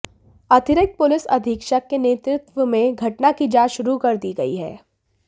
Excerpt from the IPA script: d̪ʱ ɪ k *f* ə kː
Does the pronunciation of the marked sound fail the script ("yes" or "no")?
yes